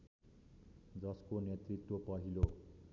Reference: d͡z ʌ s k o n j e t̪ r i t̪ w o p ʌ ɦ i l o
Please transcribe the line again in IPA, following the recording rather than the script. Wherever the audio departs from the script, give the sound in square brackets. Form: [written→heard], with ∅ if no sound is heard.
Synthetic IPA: d͡z ʌ s k o n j e t̪ r i t̪ w o p ʌ ɦ i l o